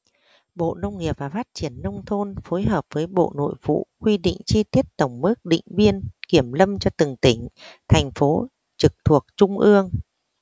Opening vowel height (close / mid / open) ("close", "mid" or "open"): mid